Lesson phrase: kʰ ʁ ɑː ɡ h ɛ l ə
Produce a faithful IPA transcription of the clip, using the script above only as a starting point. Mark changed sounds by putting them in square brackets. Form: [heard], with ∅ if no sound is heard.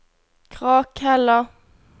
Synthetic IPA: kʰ ʁ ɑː [k] h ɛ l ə